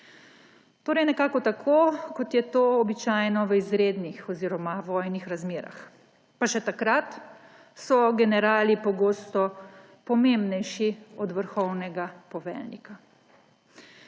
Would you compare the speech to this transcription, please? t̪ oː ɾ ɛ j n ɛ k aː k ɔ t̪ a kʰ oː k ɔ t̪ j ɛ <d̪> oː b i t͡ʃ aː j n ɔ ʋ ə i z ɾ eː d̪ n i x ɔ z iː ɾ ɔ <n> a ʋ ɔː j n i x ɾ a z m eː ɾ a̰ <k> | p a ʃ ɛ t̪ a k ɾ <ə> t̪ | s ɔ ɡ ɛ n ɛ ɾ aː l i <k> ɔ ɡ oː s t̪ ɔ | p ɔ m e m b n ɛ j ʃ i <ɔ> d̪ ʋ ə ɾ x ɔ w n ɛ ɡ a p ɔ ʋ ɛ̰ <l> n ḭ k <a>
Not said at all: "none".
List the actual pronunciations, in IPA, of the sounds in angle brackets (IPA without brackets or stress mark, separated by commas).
t̪, m, x, a, p, ɔ, l, a